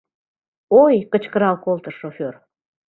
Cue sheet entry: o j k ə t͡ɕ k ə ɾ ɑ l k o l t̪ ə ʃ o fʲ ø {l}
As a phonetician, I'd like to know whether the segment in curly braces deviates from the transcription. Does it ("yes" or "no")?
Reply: yes